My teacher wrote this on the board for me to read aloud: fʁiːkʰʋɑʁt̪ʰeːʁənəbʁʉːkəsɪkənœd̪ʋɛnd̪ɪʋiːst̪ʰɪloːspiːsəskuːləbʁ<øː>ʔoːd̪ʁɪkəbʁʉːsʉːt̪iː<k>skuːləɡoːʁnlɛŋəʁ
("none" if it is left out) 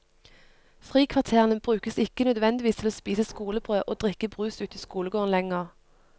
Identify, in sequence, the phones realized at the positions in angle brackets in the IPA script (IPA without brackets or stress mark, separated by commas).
øː, none